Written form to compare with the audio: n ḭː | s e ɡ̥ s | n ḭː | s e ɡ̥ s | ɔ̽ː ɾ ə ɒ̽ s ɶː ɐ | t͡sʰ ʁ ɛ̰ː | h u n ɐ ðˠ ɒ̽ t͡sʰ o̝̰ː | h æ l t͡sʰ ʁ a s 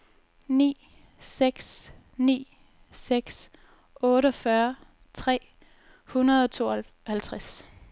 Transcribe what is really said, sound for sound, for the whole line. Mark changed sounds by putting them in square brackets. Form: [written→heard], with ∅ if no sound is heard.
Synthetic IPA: n ḭː | s e ɡ̥ s | n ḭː | s e ɡ̥ s | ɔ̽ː ɾ ə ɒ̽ [s→f] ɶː ɐ | t͡sʰ ʁ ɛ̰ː | h u n ɐ ðˠ ɒ̽ t͡sʰ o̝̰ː | h æ l t͡sʰ ʁ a s